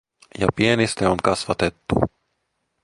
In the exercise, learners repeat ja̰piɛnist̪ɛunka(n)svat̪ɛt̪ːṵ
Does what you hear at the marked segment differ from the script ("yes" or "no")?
yes